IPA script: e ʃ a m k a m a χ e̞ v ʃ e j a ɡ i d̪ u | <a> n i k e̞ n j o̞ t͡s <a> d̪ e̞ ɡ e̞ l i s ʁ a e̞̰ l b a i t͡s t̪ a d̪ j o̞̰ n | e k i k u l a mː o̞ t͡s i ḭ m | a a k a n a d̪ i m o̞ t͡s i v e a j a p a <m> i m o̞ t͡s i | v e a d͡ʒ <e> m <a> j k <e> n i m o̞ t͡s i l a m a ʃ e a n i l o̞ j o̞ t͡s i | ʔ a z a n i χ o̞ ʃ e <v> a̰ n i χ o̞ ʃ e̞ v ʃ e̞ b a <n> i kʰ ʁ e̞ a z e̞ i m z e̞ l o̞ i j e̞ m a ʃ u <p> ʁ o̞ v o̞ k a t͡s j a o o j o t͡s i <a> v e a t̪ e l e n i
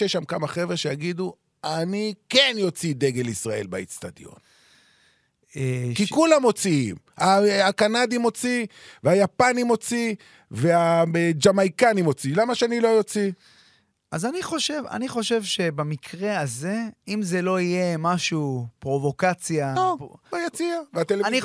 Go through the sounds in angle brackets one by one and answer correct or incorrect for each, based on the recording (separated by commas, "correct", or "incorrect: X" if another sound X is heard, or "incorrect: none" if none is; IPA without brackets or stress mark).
correct, incorrect: i, incorrect: n, incorrect: a, correct, incorrect: a, correct, incorrect: m, correct, correct